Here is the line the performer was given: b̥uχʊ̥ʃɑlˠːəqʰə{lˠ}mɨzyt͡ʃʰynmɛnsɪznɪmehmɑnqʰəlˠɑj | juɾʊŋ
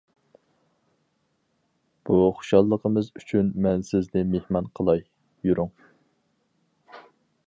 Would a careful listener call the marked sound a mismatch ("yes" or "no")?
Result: yes